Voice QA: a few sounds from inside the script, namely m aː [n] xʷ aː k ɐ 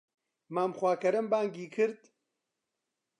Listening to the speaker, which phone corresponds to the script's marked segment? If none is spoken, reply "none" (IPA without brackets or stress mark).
m